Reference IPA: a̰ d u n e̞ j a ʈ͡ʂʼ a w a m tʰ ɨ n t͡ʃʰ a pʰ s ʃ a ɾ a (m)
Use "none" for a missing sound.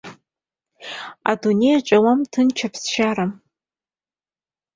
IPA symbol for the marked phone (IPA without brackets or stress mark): m